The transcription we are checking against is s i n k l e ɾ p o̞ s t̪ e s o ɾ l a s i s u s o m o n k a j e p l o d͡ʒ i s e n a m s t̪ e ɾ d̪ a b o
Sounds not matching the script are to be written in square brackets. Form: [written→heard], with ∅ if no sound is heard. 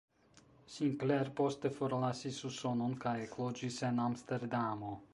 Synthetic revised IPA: s i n k l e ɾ p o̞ s t̪ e [s→f] o ɾ l a s i s u s o [m→n] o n k a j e [p→k] l o d͡ʒ i s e n a m s t̪ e ɾ d̪ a [b→m] o